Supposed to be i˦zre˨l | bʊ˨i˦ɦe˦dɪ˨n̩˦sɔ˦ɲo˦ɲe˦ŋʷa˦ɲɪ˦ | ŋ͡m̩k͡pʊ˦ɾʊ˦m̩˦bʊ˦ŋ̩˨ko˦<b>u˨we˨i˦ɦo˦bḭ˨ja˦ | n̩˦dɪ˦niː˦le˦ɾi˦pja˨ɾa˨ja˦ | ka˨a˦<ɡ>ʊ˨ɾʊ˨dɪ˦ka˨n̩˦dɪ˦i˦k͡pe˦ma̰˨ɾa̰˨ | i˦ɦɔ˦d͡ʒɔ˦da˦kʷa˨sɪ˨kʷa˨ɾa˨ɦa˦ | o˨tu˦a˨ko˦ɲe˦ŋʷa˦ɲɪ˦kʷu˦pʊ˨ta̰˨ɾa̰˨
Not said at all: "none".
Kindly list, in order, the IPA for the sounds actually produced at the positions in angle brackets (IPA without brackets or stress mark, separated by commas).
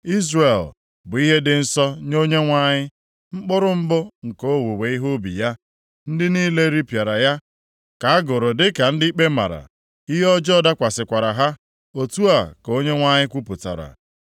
w, ɡ